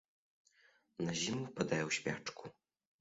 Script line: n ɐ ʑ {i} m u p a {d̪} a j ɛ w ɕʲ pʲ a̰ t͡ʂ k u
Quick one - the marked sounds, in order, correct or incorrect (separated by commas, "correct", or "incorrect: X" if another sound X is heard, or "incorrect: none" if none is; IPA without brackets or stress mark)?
correct, correct